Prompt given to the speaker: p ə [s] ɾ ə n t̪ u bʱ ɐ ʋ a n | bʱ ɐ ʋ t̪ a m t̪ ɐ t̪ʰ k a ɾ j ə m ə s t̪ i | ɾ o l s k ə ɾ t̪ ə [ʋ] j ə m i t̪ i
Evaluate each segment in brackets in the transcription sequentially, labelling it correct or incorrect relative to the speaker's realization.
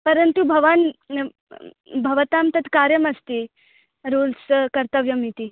incorrect: none, correct

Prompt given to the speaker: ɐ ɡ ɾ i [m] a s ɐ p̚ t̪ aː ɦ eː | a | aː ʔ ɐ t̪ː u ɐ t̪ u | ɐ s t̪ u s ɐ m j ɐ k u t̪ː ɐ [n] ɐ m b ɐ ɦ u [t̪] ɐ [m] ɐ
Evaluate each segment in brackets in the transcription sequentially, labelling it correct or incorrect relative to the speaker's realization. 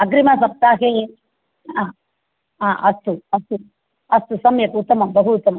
correct, incorrect: m, correct, correct

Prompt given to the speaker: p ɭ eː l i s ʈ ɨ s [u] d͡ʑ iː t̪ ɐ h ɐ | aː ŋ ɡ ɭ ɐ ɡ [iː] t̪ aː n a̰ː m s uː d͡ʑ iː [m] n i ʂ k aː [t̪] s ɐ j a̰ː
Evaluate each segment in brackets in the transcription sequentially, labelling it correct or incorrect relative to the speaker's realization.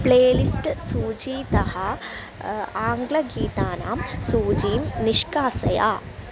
incorrect: uː, correct, correct, incorrect: none

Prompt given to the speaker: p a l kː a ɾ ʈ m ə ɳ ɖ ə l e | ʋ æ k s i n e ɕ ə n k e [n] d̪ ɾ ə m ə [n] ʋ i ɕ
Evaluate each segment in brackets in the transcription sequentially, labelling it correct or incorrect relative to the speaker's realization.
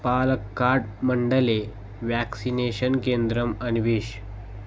correct, correct

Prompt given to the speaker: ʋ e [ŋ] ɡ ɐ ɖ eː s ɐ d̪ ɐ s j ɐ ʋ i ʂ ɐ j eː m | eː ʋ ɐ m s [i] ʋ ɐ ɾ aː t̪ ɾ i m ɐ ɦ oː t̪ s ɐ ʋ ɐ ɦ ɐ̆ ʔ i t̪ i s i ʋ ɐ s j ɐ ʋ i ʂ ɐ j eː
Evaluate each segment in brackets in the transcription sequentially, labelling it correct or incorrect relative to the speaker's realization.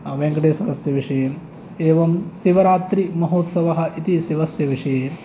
correct, correct

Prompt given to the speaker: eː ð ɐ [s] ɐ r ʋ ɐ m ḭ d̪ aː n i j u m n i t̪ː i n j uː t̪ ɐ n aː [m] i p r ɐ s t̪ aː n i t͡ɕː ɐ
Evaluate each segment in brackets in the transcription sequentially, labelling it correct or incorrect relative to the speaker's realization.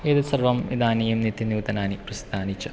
correct, incorrect: n

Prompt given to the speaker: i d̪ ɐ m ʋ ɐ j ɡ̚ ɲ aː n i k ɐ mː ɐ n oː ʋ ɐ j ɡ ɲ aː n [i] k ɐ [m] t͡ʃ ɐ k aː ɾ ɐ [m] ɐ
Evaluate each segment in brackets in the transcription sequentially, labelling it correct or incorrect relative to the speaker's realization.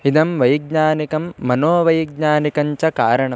correct, incorrect: ɲ, incorrect: ɳ

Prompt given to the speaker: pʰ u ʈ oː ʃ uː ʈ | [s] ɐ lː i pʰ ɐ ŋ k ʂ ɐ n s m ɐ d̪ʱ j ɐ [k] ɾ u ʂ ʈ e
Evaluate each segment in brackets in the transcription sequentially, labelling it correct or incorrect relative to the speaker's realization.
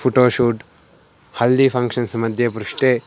incorrect: h, incorrect: p

